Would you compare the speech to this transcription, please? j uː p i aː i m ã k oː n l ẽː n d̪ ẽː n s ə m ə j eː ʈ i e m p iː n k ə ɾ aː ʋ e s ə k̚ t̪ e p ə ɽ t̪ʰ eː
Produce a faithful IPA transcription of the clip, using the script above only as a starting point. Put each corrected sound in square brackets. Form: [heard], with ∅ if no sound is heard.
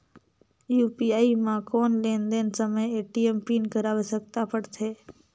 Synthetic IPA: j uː p i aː i m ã k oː n l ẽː n d̪ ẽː n s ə m ə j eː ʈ i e m p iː n k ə ɾ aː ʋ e s ə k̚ t̪ [a] p ə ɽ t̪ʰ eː

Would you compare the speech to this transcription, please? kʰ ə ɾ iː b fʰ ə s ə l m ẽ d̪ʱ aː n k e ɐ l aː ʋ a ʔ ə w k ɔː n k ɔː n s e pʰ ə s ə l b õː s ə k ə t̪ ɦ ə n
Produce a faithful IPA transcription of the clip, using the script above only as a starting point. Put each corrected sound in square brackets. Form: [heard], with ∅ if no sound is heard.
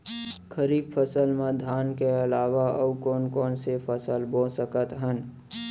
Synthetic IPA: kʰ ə ɾ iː b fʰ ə s ə l m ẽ d̪ʱ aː n k e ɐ l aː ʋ a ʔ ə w k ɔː n k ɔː n s e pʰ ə s ə l b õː s ə k ə t̪ ɦ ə n

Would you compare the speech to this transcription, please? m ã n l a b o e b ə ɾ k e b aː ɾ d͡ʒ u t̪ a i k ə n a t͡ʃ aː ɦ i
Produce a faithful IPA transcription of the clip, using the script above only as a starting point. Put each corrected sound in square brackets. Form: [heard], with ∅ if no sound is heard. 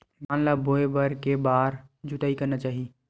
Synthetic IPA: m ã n l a b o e b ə ɾ k e b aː ɾ d͡ʒ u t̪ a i k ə n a t͡ʃ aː ɦ i

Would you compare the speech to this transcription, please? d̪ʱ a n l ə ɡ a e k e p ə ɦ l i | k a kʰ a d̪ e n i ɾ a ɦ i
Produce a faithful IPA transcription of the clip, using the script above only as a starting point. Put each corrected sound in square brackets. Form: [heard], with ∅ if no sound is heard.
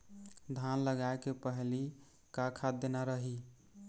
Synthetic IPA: d̪ʱ a n l ə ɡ a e k e p ə ɦ l i | k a kʰ a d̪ e n [a] ɾ [ə] ɦ i

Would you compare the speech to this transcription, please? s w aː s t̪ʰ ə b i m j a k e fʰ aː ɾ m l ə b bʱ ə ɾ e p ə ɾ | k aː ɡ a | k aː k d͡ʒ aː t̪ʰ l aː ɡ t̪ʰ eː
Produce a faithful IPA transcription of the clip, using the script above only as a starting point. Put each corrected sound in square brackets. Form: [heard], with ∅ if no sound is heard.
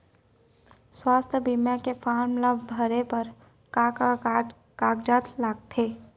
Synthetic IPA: s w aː s t̪ʰ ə b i m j a k e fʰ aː ɾ m l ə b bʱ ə ɾ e p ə ɾ | k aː [k] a | k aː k d͡ʒ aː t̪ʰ l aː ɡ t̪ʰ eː

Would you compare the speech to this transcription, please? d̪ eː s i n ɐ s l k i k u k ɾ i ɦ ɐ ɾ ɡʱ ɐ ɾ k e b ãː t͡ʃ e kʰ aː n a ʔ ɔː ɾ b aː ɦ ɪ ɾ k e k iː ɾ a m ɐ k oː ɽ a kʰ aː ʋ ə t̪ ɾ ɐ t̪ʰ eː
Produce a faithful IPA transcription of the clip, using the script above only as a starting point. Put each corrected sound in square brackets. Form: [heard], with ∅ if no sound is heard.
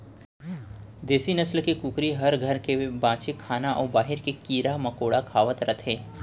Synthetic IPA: d̪ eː s i n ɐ s l k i k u k ɾ i ɦ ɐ ɾ ɡʱ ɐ ɾ k e b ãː t͡ʃ e kʰ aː n a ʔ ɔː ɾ b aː ɦ ɪ ɾ k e k iː ɾ a m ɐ k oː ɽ a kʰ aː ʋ ə t̪ ɾ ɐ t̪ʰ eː

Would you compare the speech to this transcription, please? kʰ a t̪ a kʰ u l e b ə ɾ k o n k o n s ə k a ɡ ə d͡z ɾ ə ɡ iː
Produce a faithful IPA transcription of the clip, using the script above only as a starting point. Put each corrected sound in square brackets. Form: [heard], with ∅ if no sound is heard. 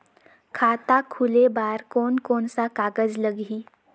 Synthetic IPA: kʰ a t̪ a kʰ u l e b [a] ɾ k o n k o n s [a] k a ɡ ə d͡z [l] ə ɡ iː

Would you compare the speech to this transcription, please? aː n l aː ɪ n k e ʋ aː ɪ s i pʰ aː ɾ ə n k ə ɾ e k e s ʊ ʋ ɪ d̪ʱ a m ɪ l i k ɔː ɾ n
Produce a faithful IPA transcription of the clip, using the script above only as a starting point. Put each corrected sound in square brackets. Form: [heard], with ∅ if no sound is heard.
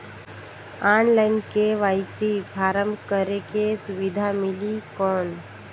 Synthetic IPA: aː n l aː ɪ n k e ʋ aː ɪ s i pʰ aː ɾ ə [m] k ə ɾ e k e s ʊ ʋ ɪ d̪ʱ a m ɪ l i k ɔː [∅] n

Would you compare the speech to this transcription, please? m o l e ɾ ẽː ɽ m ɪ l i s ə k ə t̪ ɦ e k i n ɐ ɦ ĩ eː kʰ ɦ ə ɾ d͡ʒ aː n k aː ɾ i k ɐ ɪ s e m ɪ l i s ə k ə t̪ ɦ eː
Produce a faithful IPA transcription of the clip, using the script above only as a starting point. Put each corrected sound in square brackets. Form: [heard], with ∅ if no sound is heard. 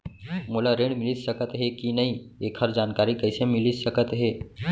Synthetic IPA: m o l [a] ɾ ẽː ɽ m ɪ l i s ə k ə t̪ ɦ e k i n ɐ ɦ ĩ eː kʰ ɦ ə ɾ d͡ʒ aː n k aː ɾ i k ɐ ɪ s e m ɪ l i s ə k ə t̪ ɦ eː

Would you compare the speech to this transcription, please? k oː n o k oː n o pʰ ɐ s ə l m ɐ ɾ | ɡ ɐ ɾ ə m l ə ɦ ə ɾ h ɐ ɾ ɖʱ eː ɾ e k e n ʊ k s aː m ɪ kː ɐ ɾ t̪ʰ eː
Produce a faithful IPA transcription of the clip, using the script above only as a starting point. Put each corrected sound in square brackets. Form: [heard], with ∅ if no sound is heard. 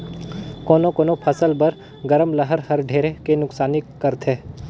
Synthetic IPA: k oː n o k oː n o pʰ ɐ s ə l [b] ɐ ɾ | ɡ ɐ ɾ ə m l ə ɦ ə ɾ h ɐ ɾ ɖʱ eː ɾ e k e n ʊ k s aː [n] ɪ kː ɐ ɾ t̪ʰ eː

